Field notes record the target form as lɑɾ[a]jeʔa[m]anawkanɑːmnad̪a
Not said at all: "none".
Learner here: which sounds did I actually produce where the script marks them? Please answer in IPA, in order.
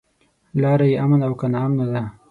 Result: a, m

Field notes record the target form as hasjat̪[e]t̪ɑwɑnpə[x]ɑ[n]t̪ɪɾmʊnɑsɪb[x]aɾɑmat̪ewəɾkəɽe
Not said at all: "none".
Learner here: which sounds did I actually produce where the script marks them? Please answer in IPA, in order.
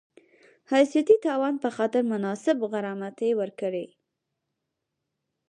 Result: i, x, none, ɣ

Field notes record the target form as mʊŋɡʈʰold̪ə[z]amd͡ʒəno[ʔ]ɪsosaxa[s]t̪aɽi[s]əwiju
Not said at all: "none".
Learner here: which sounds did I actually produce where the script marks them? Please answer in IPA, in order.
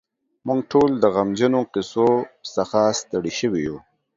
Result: ɣ, q, s, ʃ

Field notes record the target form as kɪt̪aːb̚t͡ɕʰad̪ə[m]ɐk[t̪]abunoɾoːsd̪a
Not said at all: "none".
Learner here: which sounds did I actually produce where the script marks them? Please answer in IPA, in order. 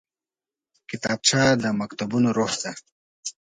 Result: m, t̪

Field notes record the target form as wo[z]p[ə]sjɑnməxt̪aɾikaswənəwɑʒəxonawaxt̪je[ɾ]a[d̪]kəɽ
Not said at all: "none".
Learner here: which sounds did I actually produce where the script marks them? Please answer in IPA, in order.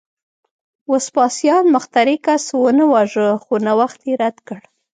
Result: s, ɑ, ɾ, d̪

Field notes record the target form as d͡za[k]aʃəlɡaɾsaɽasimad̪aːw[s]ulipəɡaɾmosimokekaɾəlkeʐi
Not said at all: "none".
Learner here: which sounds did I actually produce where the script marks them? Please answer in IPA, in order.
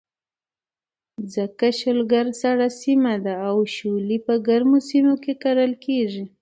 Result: k, ʃ

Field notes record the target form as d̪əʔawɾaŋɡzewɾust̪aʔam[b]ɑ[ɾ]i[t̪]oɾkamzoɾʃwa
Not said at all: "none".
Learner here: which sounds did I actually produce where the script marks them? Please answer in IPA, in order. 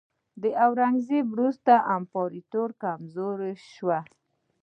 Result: p, ɾ, t̪

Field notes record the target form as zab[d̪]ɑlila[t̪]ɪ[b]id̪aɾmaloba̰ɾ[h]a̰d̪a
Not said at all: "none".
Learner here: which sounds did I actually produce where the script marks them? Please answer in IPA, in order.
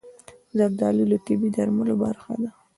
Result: d̪, t̪, b, x

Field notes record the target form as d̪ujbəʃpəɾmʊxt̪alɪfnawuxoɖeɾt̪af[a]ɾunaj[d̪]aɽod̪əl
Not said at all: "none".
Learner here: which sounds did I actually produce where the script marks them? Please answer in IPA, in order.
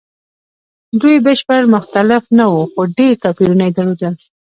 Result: i, d̪

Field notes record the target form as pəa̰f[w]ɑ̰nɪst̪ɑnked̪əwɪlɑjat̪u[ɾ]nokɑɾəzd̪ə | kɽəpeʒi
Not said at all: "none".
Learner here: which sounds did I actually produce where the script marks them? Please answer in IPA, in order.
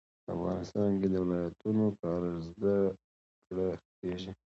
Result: ɣ, none

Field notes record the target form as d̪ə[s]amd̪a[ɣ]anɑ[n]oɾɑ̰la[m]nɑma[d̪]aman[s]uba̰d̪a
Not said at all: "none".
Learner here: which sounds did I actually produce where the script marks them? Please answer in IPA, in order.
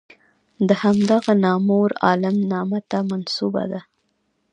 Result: h, ɣ, m, m, t̪, s

